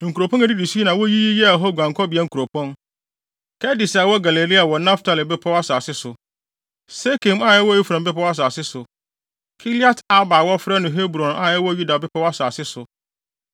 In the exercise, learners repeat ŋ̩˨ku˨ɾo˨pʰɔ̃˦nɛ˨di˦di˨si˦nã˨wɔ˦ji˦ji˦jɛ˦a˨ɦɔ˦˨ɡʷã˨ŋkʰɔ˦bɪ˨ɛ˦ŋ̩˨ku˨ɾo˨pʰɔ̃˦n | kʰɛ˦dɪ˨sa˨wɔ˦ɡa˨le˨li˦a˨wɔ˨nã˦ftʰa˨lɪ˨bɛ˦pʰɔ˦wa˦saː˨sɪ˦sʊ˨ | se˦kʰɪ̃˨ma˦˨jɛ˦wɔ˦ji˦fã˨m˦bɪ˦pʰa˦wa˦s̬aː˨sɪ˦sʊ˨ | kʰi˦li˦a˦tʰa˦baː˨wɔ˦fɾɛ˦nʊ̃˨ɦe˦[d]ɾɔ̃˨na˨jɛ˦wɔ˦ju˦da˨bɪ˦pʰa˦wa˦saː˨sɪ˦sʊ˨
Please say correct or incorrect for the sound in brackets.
incorrect